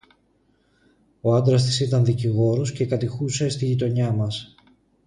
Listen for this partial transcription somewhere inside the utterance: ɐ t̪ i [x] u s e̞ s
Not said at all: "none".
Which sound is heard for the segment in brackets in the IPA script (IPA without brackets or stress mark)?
x